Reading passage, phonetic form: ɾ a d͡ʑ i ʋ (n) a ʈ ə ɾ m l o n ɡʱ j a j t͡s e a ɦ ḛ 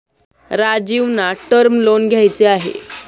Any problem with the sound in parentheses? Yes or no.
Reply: no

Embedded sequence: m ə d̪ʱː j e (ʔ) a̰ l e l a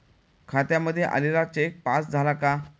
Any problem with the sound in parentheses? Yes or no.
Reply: no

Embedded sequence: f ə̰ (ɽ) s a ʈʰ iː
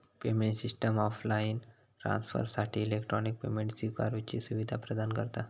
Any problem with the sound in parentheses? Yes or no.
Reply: yes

